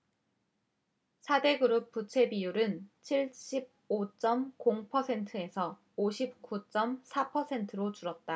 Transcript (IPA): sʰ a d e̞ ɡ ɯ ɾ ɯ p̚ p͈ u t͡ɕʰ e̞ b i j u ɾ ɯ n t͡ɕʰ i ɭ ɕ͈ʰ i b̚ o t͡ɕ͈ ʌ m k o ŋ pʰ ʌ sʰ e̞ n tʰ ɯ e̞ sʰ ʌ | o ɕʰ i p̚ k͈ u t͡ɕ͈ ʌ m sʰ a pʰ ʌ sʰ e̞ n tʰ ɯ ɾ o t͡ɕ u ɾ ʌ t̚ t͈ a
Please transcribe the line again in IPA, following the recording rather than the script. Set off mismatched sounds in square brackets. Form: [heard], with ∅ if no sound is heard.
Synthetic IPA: sʰ a d e̞ ɡ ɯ ɾ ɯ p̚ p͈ u t͡ɕʰ e̞ b i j u ɾ ɯ n t͡ɕʰ i ɭ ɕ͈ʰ i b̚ o t͡ɕ͈ ʌ m k o ŋ pʰ ʌ sʰ e̞ n tʰ ɯ e̞ sʰ ʌ | o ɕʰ i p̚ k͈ u t͡ɕ͈ ʌ m sʰ a pʰ ʌ sʰ e̞ n tʰ ɯ ɾ o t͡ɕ u ɾ ʌ t̚ t͈ a

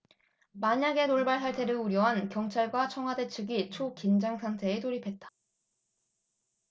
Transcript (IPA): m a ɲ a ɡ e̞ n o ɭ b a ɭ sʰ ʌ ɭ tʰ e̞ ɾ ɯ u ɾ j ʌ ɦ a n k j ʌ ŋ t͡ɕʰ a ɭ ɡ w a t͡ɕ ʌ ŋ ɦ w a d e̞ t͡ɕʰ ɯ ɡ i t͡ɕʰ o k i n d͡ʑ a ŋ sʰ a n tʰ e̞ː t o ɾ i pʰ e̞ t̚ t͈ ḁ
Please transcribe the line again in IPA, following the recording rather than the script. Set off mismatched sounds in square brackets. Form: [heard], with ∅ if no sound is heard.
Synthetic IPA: m a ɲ a ɡ e̞ n o ɭ b a ɭ sʰ [a] ɭ tʰ e̞ ɾ ɯ u ɾ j ʌ ɦ a n k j ʌ ŋ t͡ɕʰ a ɭ ɡ w a [t͡ɕʰ] ʌ ŋ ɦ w a d e̞ t͡ɕʰ ɯ ɡ i t͡ɕʰ o k i n d͡ʑ a ŋ sʰ a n tʰ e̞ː t o ɾ i pʰ e̞ t̚ t͈ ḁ

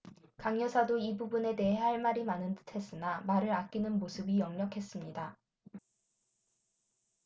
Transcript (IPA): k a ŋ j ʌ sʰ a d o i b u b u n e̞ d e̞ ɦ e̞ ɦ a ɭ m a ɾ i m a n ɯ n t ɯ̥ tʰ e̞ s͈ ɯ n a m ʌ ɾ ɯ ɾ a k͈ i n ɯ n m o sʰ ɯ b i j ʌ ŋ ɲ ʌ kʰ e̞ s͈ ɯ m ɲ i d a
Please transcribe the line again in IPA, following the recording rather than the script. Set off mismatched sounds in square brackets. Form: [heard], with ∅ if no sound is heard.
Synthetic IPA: k a ŋ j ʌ sʰ a d o i b u b u n e̞ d e̞ ɦ e̞ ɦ a ɭ m a ɾ i m a n ɯ n t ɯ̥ tʰ e̞ s͈ ɯ n a m [a] ɾ ɯ ɾ a k͈ i n ɯ n m o sʰ ɯ b i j ʌ ŋ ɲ ʌ kʰ e̞ s͈ ɯ m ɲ i d a

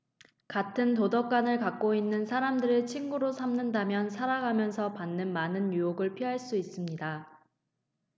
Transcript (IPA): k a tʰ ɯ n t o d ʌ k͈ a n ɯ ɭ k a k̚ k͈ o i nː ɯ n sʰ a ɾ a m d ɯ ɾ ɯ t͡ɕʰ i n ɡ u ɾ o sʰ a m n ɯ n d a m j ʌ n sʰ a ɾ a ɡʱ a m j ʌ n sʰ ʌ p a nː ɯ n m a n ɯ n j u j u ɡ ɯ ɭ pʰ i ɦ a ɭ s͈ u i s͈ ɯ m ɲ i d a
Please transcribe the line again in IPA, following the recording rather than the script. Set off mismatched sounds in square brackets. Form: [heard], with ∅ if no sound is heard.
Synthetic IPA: k a tʰ ɯ n t o d ʌ k͈ a n ɯ ɭ k a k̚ k͈ o i nː ɯ n sʰ a ɾ a m d ɯ ɾ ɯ t͡ɕʰ i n ɡ u ɾ o sʰ a m n ɯ n d a m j ʌ n sʰ a ɾ a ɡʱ a m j ʌ n sʰ ʌ p a nː ɯ n m a n ɯ n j u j [o] ɡ ɯ ɭ pʰ i ɦ a ɭ s͈ u i s͈ ɯ m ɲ i d a

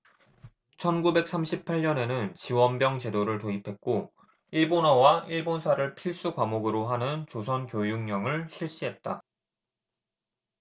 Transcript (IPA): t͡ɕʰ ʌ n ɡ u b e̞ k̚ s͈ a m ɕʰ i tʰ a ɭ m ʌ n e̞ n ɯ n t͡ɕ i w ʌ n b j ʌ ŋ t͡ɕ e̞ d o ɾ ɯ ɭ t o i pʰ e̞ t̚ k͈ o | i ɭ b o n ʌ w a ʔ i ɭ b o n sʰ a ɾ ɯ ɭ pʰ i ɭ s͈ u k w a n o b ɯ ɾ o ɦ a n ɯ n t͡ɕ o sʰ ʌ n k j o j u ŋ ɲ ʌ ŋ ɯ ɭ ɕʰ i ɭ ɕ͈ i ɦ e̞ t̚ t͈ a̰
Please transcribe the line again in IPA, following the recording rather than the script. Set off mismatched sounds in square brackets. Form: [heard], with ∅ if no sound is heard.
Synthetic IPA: t͡ɕʰ ʌ n ɡ u b e̞ k̚ s͈ a m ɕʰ i [pʰ] a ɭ [ɲ] ʌ n e̞ n ɯ n t͡ɕ i w ʌ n b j ʌ ŋ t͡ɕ e̞ d o ɾ ɯ ɭ t o i pʰ e̞ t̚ k͈ o | i ɭ b o n ʌ w a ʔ i ɭ b o n sʰ a ɾ ɯ ɭ pʰ i ɭ s͈ u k w a [m] o [ɡ] ɯ ɾ o ɦ a n ɯ n t͡ɕ o sʰ ʌ n k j o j u ŋ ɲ ʌ ŋ ɯ ɭ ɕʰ i ɭ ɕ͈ i ɦ e̞ t̚ t͈ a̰

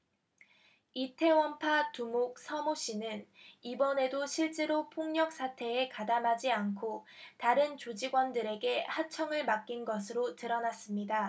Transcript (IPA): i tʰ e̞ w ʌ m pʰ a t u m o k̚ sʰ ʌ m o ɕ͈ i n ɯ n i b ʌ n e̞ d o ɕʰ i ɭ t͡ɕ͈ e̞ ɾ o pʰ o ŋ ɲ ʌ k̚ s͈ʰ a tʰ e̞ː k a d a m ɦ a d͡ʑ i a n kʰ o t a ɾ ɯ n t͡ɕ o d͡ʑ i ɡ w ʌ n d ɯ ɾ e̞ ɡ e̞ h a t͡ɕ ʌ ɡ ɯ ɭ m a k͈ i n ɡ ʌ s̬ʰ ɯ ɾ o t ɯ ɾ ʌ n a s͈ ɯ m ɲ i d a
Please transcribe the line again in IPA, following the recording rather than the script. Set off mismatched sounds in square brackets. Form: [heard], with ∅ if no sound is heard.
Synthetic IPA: i tʰ e̞ w ʌ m pʰ a t u m o k̚ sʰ ʌ m o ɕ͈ i n ɯ n i b ʌ n e̞ d o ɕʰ i ɭ t͡ɕ͈ e̞ ɾ o pʰ o ŋ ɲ ʌ k̚ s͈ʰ a tʰ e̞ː k a d a m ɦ a d͡ʑ i a n kʰ o t a ɾ ɯ n t͡ɕ o d͡ʑ i ɡ w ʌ n d ɯ ɾ e̞ ɡ e̞ h a [t͡ɕʰ] ʌ [ŋ] ɯ ɭ m a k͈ i n ɡ ʌ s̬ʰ ɯ ɾ o t ɯ ɾ ʌ n a s͈ ɯ m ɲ i d a

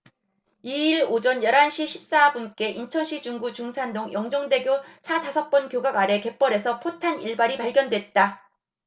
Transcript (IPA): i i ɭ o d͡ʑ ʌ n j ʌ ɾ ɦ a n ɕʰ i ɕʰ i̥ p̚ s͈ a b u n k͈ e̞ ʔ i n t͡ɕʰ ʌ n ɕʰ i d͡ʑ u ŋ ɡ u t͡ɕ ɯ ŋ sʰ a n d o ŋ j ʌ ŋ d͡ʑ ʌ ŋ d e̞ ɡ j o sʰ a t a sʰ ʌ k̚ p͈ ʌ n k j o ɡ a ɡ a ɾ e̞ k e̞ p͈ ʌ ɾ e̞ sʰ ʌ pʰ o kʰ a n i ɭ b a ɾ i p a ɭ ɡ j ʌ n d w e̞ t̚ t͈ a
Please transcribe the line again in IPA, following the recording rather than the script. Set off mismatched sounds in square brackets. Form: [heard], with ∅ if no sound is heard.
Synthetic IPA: i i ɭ o d͡ʑ ʌ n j ʌ ɾ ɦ a n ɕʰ i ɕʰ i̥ p̚ s͈ a b u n k͈ e̞ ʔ i n t͡ɕʰ ʌ n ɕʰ i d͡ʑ u ŋ ɡ u t͡ɕ [u] ŋ sʰ a n d o ŋ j ʌ ŋ d͡ʑ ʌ ŋ d e̞ ɡ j o sʰ a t a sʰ ʌ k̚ p͈ ʌ n k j o ɡ a ɡ a ɾ e̞ k e̞ p͈ ʌ ɾ e̞ sʰ ʌ pʰ o [tʰ] a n i ɭ b a ɾ i p a ɭ ɡ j ʌ n d w e̞ t̚ t͈ a

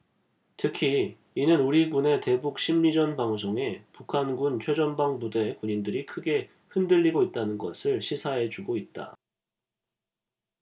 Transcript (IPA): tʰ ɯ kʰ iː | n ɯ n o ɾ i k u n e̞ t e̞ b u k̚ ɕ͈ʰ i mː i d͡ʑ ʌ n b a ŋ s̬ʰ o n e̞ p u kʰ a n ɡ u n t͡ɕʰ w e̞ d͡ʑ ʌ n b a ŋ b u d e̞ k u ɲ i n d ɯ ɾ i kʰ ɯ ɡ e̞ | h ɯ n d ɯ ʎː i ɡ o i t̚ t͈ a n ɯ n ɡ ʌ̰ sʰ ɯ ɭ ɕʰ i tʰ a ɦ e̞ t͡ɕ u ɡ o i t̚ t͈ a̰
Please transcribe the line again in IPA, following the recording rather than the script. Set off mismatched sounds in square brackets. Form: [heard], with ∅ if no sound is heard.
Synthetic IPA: tʰ ɯ kʰ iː | n ɯ n [u] ɾ i [ɡ] u n e̞ t e̞ b u k̚ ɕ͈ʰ i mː i d͡ʑ ʌ n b a ŋ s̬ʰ o [ŋ] e̞ p u kʰ a n ɡ u n t͡ɕʰ w e̞ d͡ʑ ʌ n b a ŋ b u d e̞ k u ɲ i n d ɯ ɾ i kʰ ɯ ɡ e̞ | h ɯ n d ɯ ʎː i ɡ o i t̚ t͈ a n ɯ n ɡ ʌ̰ sʰ ɯ ɭ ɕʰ i [sʰ] a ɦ e̞ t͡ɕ u ɡ o i t̚ t͈ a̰

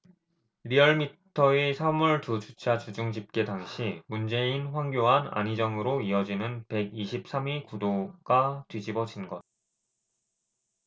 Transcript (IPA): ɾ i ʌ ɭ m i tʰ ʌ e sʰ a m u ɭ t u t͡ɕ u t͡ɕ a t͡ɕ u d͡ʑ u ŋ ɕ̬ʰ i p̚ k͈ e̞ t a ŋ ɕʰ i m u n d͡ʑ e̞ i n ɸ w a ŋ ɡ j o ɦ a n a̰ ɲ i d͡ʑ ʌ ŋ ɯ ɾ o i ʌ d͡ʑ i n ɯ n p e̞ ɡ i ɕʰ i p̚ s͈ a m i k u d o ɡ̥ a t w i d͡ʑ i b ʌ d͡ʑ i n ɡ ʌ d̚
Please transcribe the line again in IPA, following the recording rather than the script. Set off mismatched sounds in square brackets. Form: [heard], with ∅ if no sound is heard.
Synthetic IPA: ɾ i ʌ ɭ m i tʰ ʌ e sʰ a m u ɭ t u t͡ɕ u [t͡ɕʰ] a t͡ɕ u d͡ʑ u ŋ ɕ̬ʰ i p̚ k͈ e̞ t a ŋ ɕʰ i m u n d͡ʑ e̞ i n ɸ w a ŋ ɡ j o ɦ a n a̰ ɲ i d͡ʑ ʌ ŋ ɯ ɾ o i ʌ d͡ʑ i n ɯ n p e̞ ɡ i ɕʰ i p̚ s͈ a m i k u d o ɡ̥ a t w i d͡ʑ i b ʌ d͡ʑ i n ɡ ʌ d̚

